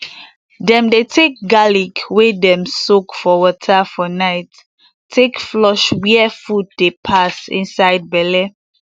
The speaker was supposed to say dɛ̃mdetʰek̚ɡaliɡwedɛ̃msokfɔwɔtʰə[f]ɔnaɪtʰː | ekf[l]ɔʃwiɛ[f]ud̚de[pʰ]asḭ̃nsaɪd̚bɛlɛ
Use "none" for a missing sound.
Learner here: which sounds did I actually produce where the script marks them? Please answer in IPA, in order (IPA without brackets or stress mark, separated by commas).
f, l, f, pʰ